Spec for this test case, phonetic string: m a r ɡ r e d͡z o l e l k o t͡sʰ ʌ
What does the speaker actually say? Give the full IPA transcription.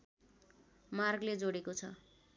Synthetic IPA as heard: m a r ɡ l e d͡z o ɽ e k o t͡sʰ ʌ